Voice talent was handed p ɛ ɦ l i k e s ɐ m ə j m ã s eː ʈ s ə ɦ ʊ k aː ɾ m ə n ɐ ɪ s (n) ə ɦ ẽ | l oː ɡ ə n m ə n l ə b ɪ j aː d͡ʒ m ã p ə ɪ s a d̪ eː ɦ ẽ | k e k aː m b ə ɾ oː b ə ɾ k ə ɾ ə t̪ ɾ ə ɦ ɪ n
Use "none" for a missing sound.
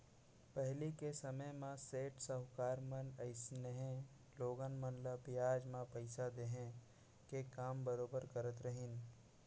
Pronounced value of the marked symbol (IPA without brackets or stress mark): n